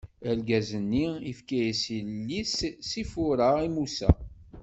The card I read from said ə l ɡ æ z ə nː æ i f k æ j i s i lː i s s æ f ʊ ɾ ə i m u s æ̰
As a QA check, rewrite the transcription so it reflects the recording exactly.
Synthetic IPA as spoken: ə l ɡ æ z ə nː i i f k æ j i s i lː i s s i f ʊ ɾ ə i m u s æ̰